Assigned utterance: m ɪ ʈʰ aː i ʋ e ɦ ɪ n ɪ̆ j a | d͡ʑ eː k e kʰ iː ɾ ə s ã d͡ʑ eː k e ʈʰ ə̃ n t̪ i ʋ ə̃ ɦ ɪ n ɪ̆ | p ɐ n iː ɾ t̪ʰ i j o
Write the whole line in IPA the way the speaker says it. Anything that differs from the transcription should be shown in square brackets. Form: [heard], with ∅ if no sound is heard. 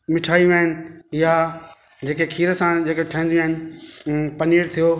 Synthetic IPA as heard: m ɪ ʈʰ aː i ʋ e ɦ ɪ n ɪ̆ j a | d͡ʑ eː k e kʰ iː ɾ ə s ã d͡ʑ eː k e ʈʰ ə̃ n [d̪] i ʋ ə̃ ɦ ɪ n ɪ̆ | p ɐ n iː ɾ t̪ʰ i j o